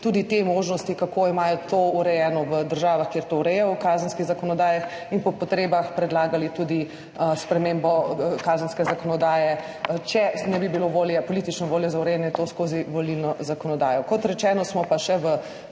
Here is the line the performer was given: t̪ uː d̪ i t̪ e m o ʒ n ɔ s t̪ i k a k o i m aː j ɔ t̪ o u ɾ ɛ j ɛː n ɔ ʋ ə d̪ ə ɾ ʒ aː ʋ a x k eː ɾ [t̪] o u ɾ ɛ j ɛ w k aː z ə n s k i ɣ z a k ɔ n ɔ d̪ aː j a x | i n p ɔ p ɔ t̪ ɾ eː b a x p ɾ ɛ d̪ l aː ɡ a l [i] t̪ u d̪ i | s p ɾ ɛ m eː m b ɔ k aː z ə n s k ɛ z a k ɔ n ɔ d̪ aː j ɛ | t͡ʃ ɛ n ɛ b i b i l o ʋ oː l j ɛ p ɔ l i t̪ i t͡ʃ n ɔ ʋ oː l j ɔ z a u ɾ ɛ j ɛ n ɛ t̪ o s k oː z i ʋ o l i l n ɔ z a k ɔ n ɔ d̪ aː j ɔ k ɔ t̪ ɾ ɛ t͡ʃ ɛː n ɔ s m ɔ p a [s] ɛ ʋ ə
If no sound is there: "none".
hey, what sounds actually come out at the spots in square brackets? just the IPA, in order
t̪, i, ʃ

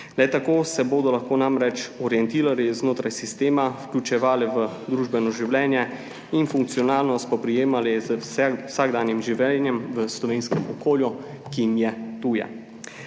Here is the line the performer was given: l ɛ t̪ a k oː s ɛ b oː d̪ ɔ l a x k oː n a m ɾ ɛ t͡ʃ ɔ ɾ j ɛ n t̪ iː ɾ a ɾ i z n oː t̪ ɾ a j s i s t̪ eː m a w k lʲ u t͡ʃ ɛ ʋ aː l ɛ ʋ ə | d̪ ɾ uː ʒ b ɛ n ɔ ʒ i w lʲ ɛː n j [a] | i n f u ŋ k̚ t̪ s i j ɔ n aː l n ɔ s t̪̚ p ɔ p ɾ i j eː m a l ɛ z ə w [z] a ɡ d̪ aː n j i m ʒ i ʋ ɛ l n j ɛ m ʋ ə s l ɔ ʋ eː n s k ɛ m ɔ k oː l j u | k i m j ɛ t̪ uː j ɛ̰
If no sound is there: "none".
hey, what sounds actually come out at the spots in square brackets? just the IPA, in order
ɛ, s

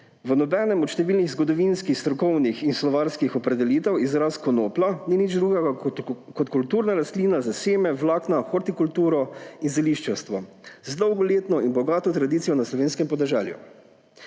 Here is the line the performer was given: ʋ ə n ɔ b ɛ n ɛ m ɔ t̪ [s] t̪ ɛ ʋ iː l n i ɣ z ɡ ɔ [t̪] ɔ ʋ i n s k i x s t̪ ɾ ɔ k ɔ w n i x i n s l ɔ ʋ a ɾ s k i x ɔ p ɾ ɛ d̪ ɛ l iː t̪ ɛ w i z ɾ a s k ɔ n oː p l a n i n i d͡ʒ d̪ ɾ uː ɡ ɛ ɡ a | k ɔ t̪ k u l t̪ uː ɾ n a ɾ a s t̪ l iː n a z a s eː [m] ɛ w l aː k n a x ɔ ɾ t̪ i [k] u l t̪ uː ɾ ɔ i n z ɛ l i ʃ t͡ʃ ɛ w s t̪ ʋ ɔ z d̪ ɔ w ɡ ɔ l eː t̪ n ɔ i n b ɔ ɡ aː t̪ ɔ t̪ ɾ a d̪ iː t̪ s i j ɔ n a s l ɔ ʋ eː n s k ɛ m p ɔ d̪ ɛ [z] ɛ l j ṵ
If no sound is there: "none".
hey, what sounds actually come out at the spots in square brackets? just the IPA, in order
ʃ, d̪, m, k, ʒ

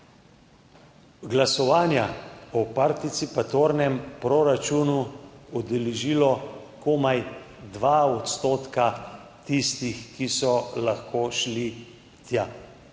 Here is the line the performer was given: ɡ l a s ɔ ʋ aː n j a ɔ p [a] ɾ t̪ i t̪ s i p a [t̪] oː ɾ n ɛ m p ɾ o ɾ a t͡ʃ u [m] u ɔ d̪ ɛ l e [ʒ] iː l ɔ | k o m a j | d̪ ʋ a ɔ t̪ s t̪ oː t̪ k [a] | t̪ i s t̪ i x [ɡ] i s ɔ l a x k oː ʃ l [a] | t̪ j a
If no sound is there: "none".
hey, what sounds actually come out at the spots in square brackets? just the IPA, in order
a, t̪, n, ʒ, a, k, i

